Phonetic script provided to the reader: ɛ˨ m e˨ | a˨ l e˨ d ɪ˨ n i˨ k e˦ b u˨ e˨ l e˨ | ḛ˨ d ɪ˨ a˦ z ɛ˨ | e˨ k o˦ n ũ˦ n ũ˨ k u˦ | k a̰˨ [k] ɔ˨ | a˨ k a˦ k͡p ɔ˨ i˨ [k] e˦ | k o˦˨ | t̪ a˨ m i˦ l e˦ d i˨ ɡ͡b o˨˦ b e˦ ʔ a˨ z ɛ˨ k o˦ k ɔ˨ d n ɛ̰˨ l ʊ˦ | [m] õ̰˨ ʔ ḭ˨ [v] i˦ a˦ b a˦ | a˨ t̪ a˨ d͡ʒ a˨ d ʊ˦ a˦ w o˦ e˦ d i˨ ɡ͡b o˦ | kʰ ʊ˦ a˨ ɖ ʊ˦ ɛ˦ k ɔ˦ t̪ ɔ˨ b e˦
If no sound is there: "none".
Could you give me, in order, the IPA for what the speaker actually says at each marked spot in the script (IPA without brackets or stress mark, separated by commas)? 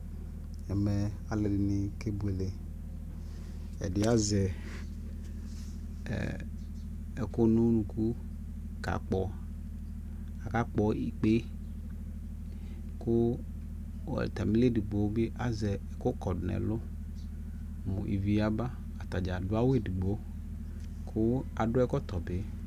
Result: k͡p, k͡p, m, v